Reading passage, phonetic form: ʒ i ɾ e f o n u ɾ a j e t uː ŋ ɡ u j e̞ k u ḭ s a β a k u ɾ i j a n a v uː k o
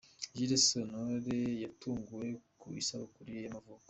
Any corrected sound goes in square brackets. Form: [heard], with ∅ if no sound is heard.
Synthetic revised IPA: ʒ i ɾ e [s] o n [o] ɾ [e] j [a] t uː ŋ ɡ u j e̞ k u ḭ s a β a k u ɾ i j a [m] a v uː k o